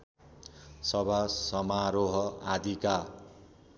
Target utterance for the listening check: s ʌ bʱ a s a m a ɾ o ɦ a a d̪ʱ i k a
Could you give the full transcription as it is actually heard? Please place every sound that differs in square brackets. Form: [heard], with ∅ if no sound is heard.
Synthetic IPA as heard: s ʌ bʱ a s [ʌ] m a ɾ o ɦ [ʌ] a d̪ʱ i k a